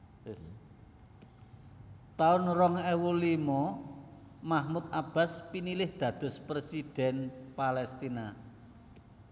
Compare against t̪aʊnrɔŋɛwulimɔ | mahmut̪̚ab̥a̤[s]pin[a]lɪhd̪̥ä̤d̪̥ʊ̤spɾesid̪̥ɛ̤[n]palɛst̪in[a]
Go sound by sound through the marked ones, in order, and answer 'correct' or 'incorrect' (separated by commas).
correct, incorrect, correct, correct